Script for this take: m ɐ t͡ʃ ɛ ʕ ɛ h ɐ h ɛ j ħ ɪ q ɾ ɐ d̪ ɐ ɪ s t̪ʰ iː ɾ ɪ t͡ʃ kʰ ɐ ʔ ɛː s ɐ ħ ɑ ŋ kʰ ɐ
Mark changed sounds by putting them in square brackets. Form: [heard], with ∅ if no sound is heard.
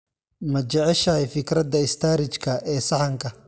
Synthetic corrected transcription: m ɐ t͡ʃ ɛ ʕ ɛ [ʃ] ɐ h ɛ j [f] ɪ [k] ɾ ɐ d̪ ɐ ɪ s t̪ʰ [aː] ɾ ɪ t͡ʃ kʰ ɐ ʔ ɛː s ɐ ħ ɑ ŋ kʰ ɐ